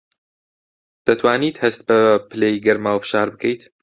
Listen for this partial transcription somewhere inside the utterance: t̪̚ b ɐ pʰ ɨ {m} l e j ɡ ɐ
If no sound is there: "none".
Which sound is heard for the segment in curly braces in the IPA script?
none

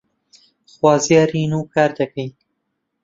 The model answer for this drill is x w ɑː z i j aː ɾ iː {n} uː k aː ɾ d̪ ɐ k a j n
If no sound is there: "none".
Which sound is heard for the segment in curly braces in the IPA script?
n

